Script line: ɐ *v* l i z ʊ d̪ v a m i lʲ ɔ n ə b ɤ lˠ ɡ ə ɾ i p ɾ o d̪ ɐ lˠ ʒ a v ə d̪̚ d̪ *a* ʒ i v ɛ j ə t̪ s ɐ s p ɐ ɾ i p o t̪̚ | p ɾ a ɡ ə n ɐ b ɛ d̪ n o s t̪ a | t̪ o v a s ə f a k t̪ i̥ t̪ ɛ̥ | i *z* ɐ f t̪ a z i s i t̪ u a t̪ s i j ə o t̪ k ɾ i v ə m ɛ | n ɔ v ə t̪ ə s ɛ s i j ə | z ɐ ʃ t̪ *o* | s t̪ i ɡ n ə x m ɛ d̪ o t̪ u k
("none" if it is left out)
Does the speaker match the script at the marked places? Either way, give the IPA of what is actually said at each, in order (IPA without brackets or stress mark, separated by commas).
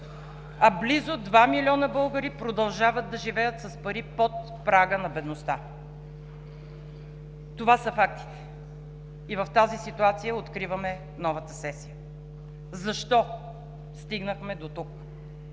b, ɐ, v, ɔ